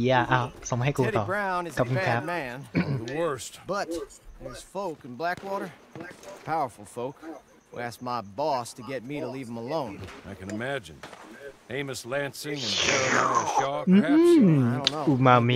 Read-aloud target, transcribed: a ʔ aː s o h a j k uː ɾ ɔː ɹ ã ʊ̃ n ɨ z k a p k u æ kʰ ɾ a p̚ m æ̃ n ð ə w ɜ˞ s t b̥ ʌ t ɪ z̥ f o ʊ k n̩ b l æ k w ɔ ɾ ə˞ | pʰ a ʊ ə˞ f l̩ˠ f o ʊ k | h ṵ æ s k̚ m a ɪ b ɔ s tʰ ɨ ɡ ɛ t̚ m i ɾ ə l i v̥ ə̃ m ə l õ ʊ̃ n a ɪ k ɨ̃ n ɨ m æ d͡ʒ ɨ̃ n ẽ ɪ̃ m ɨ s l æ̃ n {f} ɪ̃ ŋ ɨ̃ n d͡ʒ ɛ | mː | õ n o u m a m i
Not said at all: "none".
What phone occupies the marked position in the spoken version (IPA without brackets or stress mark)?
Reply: s